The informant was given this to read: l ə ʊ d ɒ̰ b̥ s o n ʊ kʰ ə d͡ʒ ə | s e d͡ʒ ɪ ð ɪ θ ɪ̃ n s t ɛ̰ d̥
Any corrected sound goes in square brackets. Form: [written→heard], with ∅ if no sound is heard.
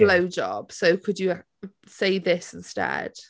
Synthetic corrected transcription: l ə ʊ [d→d͡ʒ] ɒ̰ b̥ s o [n→∅] ʊ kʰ ə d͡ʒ ə | s e [d͡ʒ→∅] ɪ ð ɪ [θ→s] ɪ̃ n s t ɛ̰ d̥